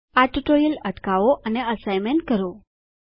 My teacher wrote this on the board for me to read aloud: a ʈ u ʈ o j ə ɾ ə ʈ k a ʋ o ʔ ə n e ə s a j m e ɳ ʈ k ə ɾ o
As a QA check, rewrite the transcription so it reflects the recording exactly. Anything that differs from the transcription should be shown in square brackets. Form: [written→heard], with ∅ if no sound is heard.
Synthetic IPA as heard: a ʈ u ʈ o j ə [ɾ→l] ə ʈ k a ʋ o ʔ ə n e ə s a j m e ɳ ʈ k ə ɾ o